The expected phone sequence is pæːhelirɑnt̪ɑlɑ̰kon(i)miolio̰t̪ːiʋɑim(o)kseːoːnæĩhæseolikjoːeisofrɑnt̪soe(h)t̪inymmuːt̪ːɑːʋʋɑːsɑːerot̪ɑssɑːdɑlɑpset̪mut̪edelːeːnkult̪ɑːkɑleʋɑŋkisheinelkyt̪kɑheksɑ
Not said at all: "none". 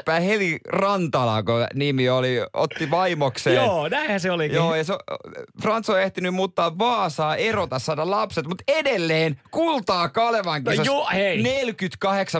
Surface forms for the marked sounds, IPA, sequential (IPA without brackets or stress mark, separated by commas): i, o, h